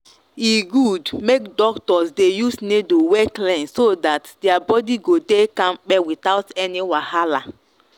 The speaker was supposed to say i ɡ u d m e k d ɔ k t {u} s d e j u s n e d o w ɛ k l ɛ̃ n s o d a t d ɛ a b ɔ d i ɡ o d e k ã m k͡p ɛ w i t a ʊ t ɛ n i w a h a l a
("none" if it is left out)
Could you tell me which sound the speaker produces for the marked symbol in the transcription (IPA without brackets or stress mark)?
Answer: ɔ